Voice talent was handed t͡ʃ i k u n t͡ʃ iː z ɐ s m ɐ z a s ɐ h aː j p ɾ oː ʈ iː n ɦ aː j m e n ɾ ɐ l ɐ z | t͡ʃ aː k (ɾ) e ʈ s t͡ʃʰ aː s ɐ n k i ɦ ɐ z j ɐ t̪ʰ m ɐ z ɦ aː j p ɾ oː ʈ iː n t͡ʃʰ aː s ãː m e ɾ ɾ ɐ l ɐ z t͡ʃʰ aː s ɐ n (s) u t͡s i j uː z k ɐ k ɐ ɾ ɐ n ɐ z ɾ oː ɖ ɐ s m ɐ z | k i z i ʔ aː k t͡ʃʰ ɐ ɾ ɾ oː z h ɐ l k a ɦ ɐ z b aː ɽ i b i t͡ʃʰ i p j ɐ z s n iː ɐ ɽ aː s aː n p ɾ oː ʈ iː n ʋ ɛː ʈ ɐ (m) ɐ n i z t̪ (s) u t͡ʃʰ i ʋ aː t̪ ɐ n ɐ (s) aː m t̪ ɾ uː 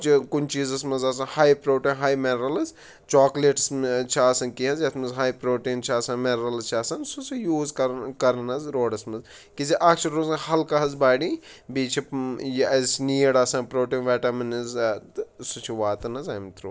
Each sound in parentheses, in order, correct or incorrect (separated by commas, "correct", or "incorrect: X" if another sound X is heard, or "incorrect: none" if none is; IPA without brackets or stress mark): incorrect: l, correct, correct, correct, incorrect: z